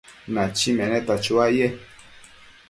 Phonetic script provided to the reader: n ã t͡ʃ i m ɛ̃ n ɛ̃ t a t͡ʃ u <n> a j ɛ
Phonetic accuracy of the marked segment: incorrect: none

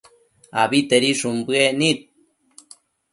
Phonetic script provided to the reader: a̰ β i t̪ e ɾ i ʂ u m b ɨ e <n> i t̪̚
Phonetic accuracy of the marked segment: correct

